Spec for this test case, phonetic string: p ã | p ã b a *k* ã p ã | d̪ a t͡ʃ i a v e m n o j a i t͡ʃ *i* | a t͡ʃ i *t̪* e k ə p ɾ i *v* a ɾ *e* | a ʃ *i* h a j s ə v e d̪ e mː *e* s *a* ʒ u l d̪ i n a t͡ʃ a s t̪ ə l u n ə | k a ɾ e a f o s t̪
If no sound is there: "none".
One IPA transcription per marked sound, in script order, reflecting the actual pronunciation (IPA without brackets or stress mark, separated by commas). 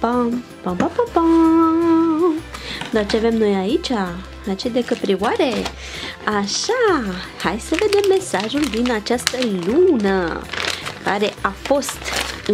p, a, d̪, w, e, a, e, a